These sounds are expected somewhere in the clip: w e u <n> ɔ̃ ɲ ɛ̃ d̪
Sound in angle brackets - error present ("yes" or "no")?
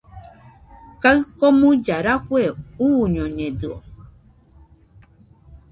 yes